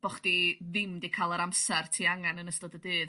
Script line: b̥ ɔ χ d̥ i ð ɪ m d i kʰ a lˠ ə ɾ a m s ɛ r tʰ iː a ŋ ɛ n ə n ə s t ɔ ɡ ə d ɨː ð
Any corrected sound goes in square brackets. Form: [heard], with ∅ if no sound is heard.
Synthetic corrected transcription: b̥ ɔ χ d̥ i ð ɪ m d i kʰ a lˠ ə ɾ a m s ɛ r tʰ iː a ŋ [a] n ə n ə s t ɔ [d] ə d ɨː ð